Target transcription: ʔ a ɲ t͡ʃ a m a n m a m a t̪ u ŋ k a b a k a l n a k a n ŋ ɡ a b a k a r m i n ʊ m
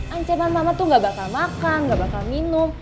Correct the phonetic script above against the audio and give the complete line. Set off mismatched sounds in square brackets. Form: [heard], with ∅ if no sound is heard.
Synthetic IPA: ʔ a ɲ t͡ʃ a m a n m a m a t̪ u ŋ [ɡ] a b a k a l [m] a k a n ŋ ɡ a b a k a [l] m i n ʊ m